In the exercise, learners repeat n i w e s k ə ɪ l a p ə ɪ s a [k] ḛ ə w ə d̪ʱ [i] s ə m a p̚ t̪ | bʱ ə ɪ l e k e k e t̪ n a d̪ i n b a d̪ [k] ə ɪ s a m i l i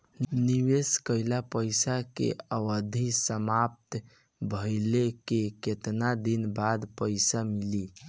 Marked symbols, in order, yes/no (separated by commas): yes, yes, no